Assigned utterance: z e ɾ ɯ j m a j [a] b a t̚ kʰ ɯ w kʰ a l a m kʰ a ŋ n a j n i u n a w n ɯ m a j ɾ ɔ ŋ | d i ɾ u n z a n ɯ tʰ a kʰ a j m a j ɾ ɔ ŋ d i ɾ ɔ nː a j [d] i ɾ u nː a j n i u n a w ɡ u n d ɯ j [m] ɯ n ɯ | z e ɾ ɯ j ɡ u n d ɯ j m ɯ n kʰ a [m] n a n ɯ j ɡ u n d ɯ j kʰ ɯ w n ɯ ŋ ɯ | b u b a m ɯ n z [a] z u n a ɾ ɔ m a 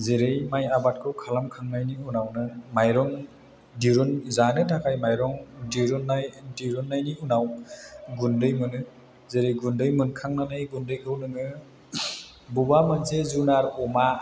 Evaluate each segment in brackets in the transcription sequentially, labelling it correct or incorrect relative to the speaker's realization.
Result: correct, correct, correct, incorrect: ŋ, incorrect: e

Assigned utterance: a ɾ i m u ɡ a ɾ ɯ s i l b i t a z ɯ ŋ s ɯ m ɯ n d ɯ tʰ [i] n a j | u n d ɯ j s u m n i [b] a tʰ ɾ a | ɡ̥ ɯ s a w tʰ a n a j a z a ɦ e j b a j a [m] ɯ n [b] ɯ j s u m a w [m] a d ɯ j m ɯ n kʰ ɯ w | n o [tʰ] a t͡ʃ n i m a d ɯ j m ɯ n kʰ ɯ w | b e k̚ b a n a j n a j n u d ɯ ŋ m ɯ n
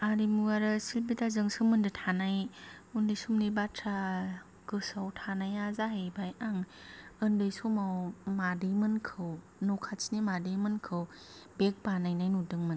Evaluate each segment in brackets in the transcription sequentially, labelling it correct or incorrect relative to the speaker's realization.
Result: incorrect: a, correct, incorrect: ŋ, incorrect: d, correct, incorrect: kʰ

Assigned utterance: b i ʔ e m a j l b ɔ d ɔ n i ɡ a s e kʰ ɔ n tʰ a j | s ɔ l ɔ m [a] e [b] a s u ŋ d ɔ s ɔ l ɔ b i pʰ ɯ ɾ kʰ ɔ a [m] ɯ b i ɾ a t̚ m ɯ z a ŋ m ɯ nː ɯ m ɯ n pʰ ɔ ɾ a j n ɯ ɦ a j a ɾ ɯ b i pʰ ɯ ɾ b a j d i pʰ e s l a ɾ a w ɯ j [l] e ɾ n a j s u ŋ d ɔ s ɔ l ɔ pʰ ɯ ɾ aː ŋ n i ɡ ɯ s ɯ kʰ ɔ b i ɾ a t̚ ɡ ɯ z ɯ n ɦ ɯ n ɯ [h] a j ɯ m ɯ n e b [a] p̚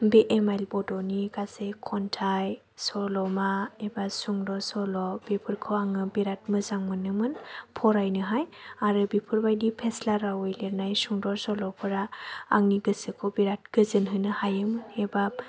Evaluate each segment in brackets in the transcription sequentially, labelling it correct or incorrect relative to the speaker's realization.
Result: correct, correct, incorrect: ŋ, correct, correct, correct

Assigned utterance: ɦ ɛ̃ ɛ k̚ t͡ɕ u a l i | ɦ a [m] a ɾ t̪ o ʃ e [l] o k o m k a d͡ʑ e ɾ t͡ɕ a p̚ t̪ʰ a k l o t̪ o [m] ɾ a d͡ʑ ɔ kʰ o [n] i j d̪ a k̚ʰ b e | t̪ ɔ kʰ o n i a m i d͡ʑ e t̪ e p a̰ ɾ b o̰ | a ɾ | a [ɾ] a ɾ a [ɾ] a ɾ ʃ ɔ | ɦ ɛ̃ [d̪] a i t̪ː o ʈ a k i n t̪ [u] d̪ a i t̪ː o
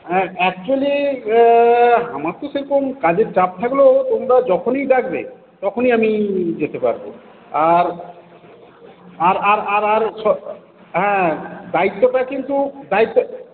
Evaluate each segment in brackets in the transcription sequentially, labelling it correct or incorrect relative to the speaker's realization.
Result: correct, incorrect: ɾ, correct, correct, correct, correct, correct, correct

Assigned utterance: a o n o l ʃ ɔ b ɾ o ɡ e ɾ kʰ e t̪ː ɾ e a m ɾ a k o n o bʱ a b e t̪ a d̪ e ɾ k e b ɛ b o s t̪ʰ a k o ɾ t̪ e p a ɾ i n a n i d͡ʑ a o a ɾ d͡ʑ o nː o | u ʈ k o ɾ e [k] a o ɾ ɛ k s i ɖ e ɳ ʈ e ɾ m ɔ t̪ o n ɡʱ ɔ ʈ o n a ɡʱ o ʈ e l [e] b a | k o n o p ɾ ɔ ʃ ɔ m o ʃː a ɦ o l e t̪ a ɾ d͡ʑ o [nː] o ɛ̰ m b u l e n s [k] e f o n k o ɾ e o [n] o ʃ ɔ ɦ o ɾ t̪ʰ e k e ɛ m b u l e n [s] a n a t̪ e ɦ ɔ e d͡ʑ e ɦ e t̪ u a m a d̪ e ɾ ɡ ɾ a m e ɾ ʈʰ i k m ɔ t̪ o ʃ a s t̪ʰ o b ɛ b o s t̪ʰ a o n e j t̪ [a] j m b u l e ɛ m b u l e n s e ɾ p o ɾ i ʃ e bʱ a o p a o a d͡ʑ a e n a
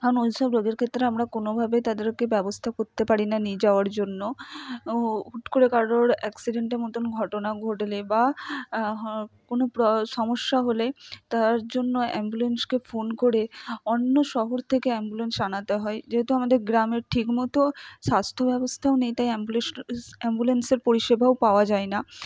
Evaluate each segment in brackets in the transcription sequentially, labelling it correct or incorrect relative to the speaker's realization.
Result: correct, correct, correct, correct, incorrect: nː, correct, correct

